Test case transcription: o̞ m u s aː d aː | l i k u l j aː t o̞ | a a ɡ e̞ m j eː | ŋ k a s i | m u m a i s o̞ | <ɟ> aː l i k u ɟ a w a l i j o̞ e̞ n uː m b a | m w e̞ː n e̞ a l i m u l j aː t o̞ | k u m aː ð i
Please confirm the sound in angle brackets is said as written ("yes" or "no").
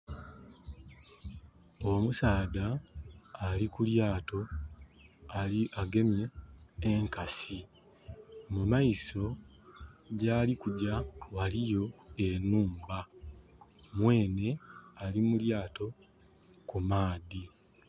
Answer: yes